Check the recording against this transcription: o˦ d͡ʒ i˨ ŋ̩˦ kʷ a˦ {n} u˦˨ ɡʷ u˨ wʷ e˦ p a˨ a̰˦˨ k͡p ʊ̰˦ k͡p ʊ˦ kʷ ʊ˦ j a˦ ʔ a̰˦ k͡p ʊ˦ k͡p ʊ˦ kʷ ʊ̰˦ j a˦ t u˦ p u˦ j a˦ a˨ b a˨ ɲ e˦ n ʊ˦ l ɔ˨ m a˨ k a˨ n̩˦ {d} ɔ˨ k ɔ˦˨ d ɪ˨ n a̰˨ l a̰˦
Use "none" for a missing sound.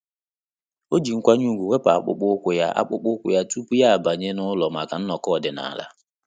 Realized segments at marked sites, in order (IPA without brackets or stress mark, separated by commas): ɲ, n